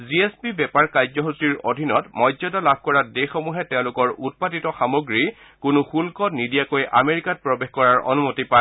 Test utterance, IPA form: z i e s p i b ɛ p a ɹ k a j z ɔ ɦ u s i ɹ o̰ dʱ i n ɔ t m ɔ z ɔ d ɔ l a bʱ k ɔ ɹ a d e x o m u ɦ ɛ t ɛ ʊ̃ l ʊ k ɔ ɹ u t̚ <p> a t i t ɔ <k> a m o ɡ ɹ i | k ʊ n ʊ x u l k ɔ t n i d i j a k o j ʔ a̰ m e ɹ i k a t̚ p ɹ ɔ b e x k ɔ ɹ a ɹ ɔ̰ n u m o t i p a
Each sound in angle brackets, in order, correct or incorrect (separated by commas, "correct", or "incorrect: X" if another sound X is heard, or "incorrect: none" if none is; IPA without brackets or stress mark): correct, incorrect: x